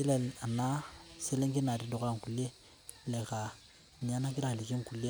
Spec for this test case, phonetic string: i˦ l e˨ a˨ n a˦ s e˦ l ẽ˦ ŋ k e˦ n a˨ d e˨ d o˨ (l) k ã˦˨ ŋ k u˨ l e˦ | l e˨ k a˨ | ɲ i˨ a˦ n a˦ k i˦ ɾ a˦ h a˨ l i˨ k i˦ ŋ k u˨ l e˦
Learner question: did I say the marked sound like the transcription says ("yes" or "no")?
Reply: no